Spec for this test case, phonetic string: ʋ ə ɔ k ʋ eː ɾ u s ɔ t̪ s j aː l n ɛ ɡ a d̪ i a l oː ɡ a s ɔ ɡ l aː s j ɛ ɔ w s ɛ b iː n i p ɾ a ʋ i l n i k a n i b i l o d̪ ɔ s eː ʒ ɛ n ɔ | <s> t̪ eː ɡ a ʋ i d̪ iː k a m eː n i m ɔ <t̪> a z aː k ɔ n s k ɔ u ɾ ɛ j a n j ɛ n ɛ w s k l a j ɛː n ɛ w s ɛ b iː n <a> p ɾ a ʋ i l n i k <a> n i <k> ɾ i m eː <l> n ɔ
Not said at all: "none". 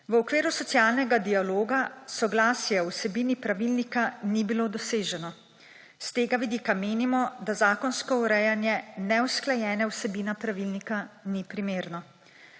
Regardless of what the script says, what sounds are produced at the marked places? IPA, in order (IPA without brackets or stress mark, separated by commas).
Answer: s, d̪, a, a, p, ɾ